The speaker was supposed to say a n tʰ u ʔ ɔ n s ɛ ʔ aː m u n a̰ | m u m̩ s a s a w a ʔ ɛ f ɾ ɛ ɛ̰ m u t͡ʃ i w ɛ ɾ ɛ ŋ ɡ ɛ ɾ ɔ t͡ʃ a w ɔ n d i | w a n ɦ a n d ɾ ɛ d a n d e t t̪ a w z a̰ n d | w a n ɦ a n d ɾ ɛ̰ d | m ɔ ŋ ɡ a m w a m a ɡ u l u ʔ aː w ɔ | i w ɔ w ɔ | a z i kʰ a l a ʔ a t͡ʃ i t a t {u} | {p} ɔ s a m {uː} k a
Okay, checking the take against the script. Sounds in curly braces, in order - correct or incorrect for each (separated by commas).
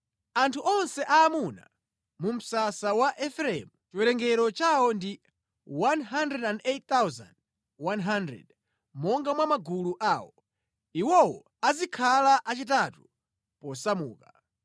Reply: correct, correct, correct